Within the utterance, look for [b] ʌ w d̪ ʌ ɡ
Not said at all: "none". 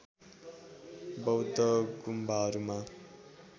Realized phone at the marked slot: b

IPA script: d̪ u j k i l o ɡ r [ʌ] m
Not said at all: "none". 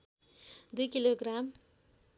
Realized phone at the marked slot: a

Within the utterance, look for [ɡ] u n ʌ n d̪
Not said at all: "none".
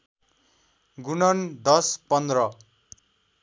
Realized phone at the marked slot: ɡ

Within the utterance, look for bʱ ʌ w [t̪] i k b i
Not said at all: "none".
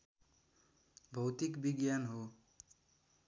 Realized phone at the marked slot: t̪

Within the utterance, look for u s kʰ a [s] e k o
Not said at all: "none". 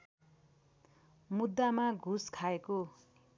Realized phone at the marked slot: none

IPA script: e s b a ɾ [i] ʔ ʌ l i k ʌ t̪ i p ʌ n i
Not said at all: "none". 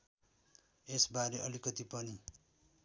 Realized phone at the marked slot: e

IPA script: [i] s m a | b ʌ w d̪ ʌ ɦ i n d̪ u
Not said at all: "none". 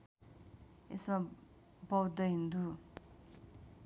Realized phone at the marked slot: e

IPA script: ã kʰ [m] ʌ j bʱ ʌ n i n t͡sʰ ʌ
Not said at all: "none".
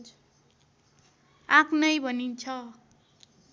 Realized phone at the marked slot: n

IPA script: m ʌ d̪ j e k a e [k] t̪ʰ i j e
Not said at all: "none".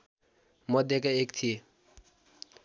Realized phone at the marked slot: k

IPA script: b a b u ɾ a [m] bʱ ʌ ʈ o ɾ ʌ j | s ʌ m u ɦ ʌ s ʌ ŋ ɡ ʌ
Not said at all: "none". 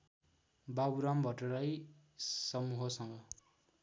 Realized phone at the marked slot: m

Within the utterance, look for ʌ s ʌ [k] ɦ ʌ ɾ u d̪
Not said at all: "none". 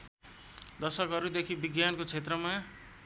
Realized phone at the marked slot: k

